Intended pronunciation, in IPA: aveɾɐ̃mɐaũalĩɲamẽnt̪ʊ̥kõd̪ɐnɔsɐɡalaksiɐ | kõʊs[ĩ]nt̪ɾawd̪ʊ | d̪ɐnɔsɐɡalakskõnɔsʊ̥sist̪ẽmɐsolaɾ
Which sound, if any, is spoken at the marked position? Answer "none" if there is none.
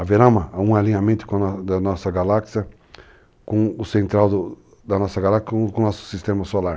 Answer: ẽ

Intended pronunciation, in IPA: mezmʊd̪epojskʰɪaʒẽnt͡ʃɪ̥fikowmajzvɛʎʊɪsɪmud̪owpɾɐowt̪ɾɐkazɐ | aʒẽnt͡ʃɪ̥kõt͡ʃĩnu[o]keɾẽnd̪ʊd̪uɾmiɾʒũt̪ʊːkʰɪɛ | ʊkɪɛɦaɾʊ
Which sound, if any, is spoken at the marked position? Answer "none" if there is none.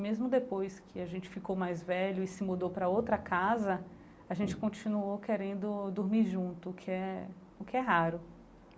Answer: o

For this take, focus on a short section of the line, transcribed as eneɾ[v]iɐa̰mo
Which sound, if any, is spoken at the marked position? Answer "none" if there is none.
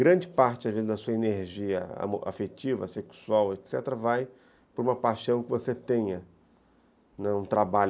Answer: ʒ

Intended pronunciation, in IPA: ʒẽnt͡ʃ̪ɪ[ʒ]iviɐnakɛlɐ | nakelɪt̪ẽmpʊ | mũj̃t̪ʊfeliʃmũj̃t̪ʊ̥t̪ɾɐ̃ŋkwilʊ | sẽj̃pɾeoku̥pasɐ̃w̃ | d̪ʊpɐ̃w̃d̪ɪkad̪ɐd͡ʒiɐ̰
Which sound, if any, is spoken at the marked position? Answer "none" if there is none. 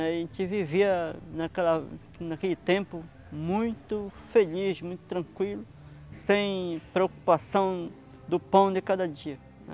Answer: v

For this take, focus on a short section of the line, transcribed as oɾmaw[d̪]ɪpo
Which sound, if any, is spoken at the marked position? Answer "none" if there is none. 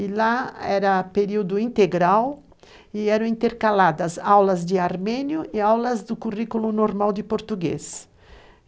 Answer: d̪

